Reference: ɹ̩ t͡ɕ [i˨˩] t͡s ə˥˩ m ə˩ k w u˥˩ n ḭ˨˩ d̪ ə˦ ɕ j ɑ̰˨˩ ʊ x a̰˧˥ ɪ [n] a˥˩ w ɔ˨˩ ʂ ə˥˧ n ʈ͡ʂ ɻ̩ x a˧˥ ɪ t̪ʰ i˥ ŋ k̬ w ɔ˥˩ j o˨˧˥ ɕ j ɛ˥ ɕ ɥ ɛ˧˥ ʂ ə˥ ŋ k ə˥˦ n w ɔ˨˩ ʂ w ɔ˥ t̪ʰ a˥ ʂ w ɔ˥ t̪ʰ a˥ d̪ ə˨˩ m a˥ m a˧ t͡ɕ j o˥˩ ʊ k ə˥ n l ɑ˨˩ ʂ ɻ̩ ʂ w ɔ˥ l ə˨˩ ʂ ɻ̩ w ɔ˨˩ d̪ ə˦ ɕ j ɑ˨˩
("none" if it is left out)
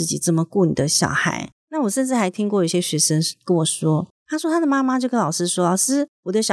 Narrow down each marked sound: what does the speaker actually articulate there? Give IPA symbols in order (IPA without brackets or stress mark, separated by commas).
i˨˩, n